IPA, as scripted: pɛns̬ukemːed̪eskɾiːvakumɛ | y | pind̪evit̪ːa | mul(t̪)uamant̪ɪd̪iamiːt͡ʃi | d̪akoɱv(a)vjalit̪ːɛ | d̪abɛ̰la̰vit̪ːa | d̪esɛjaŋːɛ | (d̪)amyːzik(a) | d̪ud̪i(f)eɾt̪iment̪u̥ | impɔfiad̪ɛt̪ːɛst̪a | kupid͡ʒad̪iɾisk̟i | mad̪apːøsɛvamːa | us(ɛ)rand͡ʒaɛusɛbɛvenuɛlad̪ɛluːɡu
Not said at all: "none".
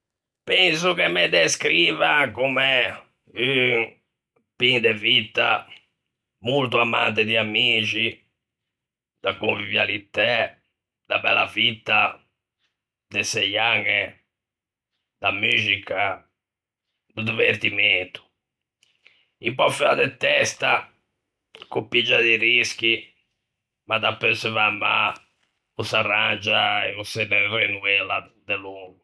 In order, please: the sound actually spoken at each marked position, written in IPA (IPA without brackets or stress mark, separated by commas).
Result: t̪, i, d̪, a, v, a